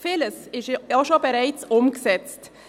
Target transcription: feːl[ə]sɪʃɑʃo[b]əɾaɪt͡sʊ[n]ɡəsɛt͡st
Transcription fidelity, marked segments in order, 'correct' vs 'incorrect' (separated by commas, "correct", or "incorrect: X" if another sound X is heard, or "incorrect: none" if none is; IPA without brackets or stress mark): correct, correct, incorrect: m